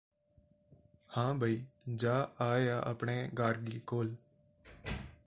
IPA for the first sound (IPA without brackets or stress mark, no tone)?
h